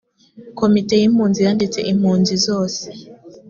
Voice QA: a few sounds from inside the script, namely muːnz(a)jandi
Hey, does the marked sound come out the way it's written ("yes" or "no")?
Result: no